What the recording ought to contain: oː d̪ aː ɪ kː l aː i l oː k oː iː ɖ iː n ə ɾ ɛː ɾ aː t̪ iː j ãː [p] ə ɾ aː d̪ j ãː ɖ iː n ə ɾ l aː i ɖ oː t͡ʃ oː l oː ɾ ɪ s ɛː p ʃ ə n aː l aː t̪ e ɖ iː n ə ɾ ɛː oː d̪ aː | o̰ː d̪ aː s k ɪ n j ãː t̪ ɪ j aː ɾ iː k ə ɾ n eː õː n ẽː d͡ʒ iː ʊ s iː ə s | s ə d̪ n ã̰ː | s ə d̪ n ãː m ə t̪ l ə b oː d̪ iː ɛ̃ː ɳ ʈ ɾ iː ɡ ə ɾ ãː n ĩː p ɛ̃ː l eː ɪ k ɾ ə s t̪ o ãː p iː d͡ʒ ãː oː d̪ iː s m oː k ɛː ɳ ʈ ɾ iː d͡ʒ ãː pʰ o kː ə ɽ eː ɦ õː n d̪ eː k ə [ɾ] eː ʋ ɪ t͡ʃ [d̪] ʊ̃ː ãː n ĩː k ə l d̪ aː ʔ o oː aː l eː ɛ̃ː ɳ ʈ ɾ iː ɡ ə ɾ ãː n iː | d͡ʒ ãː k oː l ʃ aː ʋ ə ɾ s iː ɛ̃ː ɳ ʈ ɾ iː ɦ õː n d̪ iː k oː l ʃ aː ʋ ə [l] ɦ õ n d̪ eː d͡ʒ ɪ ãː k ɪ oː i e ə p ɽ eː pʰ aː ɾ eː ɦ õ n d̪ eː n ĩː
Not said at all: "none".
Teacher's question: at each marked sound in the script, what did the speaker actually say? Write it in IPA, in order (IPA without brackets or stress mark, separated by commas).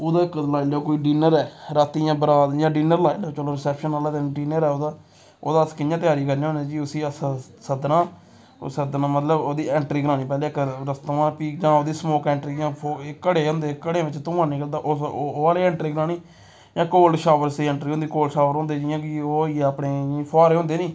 b, ɽ, t̪, ɾ